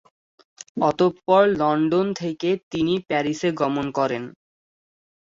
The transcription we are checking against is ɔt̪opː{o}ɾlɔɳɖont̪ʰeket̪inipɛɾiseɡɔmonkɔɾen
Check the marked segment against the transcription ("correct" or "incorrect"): incorrect